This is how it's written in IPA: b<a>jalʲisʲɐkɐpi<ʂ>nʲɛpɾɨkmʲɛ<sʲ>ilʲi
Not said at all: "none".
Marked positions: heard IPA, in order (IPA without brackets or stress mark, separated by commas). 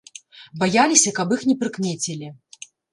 a, x, t͡sʲ